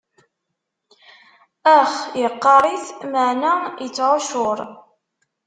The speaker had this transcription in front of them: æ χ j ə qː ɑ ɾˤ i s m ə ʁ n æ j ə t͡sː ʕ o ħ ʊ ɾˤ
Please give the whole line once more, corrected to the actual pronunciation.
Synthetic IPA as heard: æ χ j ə qː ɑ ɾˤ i θ m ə ʕ n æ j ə t͡sː ʕ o ʃ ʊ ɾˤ